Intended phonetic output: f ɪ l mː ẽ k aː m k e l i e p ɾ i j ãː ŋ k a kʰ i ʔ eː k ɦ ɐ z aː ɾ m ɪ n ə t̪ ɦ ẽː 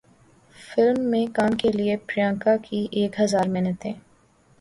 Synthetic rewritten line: f ɪ l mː ẽ k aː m k e l i e p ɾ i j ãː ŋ k a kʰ i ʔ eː k ɦ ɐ z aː ɾ m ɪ n ə t̪ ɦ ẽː